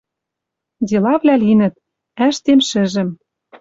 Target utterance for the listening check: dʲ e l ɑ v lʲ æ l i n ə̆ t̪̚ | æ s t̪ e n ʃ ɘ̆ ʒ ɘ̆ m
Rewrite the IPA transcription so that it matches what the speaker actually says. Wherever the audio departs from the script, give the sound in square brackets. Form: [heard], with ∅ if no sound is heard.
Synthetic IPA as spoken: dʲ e l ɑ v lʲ æ l i n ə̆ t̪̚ | æ [ʃ] t̪ e [m] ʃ ɘ̆ ʒ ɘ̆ m